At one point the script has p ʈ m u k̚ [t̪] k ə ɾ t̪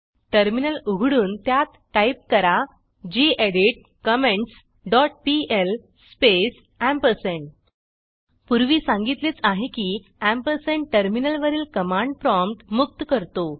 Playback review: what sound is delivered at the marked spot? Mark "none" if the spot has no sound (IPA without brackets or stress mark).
t̪